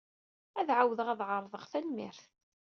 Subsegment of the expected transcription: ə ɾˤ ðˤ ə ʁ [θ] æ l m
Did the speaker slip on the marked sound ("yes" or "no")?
no